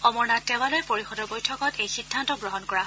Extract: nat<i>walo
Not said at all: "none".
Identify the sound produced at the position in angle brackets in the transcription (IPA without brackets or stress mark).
ɛ